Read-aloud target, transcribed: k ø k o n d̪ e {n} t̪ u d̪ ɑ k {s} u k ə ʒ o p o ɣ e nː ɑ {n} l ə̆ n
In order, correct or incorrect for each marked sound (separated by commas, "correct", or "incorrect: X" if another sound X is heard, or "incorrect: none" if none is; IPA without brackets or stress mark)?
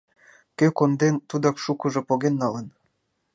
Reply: correct, incorrect: ʃ, incorrect: none